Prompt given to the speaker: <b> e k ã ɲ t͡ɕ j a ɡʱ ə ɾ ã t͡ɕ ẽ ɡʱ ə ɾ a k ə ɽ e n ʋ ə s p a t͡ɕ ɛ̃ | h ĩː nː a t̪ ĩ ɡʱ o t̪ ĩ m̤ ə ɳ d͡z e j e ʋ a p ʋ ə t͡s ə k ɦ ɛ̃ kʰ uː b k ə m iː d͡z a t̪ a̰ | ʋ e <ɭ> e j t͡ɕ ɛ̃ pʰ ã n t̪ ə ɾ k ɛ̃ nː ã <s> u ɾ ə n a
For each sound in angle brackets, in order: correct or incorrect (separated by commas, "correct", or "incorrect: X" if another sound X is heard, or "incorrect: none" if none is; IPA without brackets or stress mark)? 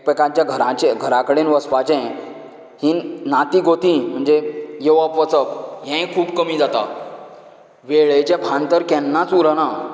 incorrect: p, correct, incorrect: t͡s